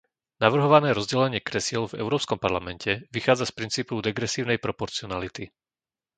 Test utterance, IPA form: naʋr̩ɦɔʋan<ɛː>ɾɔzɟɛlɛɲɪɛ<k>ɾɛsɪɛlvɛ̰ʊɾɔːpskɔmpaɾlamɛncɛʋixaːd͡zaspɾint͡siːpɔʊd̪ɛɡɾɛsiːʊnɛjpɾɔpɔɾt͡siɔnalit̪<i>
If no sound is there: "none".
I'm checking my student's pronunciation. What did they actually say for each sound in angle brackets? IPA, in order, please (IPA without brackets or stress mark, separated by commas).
ɛː, k, i